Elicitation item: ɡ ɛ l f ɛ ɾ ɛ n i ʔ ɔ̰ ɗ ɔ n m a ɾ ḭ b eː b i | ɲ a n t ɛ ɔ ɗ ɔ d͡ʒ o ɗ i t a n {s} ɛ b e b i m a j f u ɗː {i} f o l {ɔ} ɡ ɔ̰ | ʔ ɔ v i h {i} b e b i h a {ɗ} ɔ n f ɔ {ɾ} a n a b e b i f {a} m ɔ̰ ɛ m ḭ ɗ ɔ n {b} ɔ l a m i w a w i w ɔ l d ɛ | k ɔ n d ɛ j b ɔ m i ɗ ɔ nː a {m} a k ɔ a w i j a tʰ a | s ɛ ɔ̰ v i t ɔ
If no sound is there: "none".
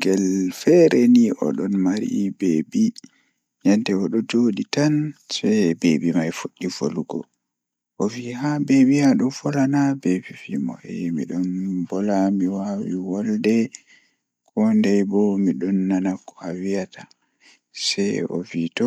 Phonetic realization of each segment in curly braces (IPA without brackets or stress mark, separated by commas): s, i, u, a, ɗ, l, i, b, n